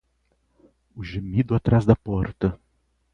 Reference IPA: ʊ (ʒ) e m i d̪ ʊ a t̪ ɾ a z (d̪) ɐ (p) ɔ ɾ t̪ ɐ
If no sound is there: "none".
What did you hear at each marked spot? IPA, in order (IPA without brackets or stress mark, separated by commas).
ʒ, d̪, p